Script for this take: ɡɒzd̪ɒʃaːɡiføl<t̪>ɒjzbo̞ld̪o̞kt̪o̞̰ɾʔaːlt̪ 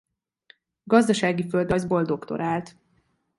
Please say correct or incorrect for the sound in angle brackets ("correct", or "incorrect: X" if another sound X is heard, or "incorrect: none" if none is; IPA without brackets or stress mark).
incorrect: d̪